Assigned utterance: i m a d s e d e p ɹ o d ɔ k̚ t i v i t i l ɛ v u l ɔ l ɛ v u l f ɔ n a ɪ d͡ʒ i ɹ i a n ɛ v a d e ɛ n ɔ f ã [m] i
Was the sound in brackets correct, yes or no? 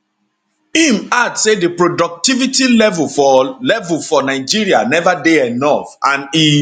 no